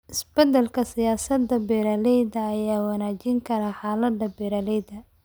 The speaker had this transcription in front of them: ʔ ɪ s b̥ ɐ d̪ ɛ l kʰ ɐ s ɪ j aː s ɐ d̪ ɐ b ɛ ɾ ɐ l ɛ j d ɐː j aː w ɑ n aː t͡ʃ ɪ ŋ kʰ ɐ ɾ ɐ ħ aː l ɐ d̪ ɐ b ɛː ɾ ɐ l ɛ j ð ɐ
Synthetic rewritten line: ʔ ɪ s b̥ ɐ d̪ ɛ l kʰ ɐ s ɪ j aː s ɐ d̪ ɐ b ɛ ɾ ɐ l ɛ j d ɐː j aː w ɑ n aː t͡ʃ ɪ ŋ kʰ ɐ ɾ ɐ ħ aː l ɐ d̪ ɐ b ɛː ɾ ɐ l ɛ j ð ɐ